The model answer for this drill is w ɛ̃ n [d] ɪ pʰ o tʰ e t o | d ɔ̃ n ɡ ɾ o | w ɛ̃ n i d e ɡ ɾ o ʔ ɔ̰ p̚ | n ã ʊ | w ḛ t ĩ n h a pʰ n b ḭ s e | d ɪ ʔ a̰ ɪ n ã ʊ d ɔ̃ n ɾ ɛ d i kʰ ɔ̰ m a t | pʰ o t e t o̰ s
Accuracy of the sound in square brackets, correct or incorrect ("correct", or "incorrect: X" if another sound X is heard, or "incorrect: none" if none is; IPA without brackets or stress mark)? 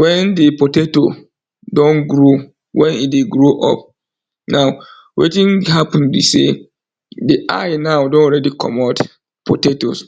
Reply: correct